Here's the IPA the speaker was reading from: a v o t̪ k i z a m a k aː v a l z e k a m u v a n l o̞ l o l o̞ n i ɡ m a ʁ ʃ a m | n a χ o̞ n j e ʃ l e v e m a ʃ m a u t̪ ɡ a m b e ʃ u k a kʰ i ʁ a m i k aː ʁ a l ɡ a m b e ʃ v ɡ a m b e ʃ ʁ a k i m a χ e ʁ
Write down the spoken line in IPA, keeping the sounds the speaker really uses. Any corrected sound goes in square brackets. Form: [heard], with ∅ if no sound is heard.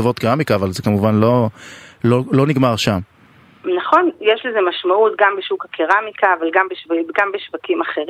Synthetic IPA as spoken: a v o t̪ k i [ʁ] a m [i] k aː v a l z e k a m u v a n l o̞ l o l o̞ n i ɡ m a ʁ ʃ a m | n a χ o̞ n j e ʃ l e [z] e m a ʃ m a u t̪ ɡ a m b e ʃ u k a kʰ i ʁ a m i k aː [v] a l ɡ a m b e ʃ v ɡ a m b e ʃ [v] a k i m a χ e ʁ